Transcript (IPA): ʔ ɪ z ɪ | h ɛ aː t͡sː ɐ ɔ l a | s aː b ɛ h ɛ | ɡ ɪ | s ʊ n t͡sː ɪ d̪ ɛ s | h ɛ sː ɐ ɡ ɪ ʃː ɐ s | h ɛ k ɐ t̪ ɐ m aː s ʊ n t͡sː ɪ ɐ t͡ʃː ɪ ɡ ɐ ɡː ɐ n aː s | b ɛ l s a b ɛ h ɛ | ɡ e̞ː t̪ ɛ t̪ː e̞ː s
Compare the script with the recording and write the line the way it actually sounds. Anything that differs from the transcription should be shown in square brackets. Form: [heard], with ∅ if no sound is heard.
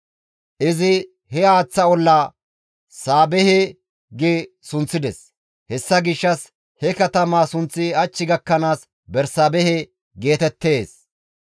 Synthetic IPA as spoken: ʔ ɪ z ɪ | h ɛ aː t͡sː ɐ ɔ [lː] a | s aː b ɛ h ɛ | ɡ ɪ | s ʊ n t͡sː ɪ d̪ ɛ s | h ɛ sː ɐ ɡ ɪ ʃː ɐ s | h ɛ k ɐ t̪ ɐ m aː s ʊ n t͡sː ɪ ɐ t͡ʃː ɪ ɡ ɐ [kː] ɐ n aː s | b ɛ [ɾ] s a b ɛ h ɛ | ɡ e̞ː t̪ ɛ t̪ː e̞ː s